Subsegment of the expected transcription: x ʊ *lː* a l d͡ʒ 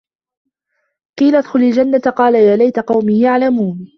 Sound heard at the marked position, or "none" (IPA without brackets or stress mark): l